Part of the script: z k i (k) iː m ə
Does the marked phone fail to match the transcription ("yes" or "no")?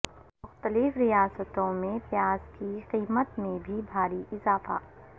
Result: yes